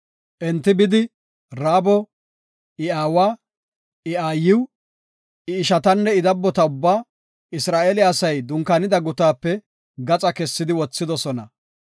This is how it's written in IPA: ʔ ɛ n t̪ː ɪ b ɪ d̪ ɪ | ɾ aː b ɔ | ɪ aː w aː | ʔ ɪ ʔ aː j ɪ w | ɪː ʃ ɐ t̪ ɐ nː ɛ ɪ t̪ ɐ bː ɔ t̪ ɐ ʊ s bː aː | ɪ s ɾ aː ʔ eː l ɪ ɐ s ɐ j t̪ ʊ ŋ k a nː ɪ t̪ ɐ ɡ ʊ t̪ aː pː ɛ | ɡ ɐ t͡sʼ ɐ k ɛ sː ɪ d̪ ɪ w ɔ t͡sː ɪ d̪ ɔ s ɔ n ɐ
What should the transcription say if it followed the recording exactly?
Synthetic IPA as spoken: ʔ ɛ n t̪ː ɪ b ɪ d̪ ɪ | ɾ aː b ɔ | ɪ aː w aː | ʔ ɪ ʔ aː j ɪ w | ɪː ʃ ɐ t̪ ɐ nː ɛ ɪ d̪ ɐ bː ɔ t̪ ɐ ʊ bː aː | ɪ s ɾ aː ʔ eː l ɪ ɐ s ɐ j d̪ ʊ ŋ k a n ɪ d̪ ɐ ɡ ʊ t̪ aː pː ɛ | ɡ ɐ t͡sʼ ɐ k ɛ sː ɪ d̪ ɪ w ɔ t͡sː ɪ d̪ ɔ s ɔ n ɐ